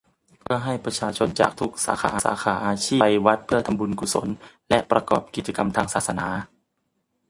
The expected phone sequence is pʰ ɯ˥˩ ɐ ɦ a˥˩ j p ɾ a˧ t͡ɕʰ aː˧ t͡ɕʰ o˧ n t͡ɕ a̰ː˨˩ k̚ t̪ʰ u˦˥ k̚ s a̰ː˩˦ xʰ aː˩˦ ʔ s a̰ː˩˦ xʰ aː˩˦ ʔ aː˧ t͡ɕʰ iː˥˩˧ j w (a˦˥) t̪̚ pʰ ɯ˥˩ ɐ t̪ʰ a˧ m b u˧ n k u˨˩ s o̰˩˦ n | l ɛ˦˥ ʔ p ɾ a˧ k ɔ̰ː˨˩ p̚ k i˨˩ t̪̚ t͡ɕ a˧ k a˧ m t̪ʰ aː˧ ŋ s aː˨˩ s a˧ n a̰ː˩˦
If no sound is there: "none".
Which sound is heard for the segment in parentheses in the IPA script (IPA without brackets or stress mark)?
a˦˥